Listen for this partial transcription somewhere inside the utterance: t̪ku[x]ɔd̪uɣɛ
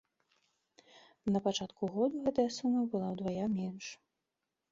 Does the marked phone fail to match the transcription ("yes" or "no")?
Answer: yes